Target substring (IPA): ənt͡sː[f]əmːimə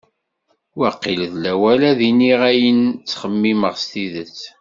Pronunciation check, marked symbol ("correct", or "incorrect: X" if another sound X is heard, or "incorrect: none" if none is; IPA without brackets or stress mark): incorrect: χ